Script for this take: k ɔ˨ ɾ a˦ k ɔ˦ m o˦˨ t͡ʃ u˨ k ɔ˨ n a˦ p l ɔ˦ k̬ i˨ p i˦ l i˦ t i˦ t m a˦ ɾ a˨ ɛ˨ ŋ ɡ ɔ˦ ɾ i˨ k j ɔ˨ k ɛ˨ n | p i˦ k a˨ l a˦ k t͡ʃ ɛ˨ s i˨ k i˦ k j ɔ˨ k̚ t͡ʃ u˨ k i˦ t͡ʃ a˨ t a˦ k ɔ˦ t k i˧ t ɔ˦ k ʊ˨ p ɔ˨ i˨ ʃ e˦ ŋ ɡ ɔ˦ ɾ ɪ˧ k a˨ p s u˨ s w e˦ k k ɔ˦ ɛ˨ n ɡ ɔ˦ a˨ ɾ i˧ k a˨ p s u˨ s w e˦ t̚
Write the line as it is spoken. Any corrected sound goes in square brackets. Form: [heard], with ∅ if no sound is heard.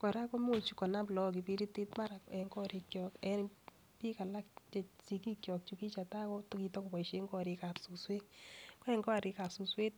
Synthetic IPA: k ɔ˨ ɾ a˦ k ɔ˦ m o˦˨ t͡ʃ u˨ k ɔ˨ n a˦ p l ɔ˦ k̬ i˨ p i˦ [ɾ] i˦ t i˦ t m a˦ ɾ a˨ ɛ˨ ŋ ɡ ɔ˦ ɾ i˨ k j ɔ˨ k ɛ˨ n | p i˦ k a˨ l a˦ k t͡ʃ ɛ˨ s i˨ k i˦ k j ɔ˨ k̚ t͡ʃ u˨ k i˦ t͡ʃ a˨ t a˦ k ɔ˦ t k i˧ t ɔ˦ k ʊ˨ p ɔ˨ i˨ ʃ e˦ ŋ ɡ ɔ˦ ɾ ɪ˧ k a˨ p s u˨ s w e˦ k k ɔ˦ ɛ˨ [ŋ] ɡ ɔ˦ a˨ ɾ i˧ k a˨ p s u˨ s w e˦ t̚

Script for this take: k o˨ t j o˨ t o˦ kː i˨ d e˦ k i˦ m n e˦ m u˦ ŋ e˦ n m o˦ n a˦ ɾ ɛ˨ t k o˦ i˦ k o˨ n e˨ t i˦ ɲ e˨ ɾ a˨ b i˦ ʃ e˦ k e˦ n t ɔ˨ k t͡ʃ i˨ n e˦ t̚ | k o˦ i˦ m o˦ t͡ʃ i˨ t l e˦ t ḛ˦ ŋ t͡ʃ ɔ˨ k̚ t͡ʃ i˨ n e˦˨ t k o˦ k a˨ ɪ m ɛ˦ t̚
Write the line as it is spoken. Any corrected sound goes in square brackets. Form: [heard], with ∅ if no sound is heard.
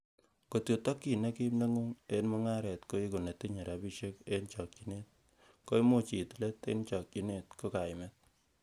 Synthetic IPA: k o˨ t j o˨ t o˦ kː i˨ [n] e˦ k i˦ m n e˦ [ŋ] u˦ ŋ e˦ n m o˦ [ŋ] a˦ ɾ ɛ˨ t k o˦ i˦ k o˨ n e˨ t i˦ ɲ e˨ ɾ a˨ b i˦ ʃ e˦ k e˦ n [t͡ʃ] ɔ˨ k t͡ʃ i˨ n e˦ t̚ | k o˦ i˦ m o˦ t͡ʃ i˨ t l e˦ t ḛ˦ [n] t͡ʃ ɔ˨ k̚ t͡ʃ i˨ n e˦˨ t k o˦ k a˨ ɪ m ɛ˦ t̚

